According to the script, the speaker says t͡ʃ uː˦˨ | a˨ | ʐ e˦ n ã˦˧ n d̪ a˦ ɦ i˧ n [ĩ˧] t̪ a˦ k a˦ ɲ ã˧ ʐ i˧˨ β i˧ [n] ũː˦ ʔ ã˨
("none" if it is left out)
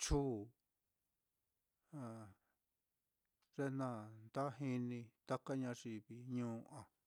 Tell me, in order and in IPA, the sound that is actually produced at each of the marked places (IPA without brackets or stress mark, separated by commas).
ĩ˧, ɲ